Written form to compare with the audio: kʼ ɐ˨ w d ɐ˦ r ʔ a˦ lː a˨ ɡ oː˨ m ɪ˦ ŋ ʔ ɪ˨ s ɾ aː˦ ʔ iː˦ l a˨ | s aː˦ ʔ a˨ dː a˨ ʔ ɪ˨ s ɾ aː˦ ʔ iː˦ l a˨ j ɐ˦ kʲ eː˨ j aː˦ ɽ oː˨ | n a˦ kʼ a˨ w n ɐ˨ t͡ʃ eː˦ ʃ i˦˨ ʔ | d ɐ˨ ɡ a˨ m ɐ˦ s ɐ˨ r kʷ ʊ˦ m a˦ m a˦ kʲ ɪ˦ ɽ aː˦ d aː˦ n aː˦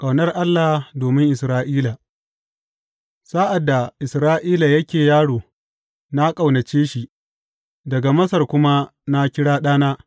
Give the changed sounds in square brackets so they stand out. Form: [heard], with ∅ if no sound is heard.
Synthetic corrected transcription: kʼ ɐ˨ w [n] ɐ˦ r ʔ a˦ lː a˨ [d] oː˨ m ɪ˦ ŋ ʔ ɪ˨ s ɾ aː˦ ʔ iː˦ l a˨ | s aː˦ ʔ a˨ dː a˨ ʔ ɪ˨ s ɾ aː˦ ʔ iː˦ l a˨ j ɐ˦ kʲ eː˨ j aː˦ ɽ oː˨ | n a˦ kʼ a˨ w n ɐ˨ t͡ʃ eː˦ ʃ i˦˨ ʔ | d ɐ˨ ɡ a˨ m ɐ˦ s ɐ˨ r kʷ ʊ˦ m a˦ [n] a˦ kʲ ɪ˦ ɽ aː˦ [ɗ] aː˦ n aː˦

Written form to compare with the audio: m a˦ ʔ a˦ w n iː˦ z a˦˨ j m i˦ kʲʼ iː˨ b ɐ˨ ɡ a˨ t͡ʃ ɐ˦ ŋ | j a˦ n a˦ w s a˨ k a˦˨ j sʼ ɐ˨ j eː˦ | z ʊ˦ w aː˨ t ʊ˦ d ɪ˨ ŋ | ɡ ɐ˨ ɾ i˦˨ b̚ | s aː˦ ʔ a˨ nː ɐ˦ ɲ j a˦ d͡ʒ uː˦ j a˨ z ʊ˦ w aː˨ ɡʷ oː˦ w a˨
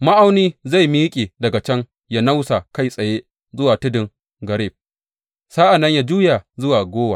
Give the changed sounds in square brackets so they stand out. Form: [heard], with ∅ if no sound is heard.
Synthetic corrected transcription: m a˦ ʔ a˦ w n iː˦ z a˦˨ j m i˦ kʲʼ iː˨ [d] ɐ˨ ɡ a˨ t͡ʃ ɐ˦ ŋ | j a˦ n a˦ w s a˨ k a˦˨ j sʼ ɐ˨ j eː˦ | z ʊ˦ w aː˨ t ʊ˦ d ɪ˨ ŋ | ɡ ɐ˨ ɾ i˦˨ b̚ | s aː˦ ʔ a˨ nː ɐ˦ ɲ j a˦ d͡ʒ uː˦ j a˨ z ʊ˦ w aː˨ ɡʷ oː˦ w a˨

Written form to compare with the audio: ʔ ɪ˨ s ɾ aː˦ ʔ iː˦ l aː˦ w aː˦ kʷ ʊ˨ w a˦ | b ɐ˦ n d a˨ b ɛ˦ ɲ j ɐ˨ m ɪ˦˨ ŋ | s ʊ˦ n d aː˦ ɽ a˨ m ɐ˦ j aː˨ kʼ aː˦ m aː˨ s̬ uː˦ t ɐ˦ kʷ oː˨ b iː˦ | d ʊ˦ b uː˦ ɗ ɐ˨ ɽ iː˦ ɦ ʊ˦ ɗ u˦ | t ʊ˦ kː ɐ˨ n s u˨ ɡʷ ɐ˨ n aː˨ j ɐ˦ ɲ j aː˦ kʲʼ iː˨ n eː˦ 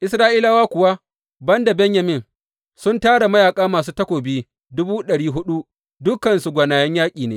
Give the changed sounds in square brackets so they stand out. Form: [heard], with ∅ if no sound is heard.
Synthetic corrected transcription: ʔ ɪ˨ s ɾ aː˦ ʔ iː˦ l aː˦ w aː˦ kʷ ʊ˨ w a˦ | b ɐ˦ n d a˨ b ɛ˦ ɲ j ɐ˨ m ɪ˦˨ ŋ | s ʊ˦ n [t] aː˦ ɽ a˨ m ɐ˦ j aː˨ kʼ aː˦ m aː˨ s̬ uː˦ t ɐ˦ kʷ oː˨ b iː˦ | d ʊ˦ b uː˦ ɗ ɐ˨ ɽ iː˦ ɦ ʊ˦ ɗ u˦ | [d] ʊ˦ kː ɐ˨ n s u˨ ɡʷ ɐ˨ n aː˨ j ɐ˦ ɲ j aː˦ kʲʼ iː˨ n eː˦

